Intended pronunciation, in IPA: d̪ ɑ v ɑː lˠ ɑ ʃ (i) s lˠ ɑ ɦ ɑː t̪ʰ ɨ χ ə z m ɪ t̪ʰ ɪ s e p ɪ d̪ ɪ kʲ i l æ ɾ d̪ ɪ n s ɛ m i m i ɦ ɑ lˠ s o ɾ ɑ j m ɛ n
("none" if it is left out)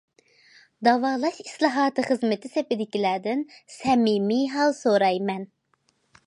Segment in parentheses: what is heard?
i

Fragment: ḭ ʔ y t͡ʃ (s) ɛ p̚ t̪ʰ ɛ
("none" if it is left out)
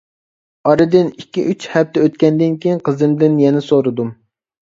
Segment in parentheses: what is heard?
h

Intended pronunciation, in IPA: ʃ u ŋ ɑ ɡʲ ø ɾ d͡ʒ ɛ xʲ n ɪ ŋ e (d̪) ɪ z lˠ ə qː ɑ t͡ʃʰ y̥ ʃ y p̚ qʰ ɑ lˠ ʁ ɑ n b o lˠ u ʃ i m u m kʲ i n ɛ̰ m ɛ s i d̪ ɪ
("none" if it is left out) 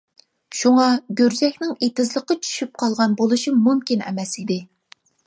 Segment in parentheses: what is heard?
t̪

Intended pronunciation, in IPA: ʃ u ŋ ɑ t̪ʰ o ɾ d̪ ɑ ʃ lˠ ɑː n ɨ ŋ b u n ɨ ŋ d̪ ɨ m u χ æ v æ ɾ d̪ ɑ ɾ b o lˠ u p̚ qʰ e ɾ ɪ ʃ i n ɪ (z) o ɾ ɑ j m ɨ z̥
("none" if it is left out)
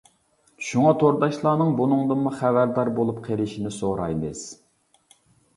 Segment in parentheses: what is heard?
s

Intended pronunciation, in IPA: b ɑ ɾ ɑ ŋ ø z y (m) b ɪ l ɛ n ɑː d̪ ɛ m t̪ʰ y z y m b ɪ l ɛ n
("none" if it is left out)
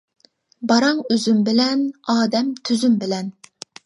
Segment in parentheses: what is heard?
m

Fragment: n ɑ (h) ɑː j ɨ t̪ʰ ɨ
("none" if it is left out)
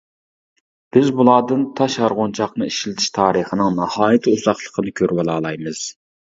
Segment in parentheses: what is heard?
h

